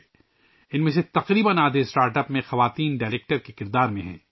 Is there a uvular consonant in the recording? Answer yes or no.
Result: yes